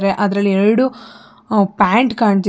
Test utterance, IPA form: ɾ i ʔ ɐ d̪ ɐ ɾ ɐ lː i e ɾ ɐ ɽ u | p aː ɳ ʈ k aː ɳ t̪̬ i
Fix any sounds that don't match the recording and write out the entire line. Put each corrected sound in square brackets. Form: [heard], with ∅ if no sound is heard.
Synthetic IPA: ɾ [e] ʔ ɐ d̪ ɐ ɾ ɐ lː i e ɾ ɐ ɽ u | p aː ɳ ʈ k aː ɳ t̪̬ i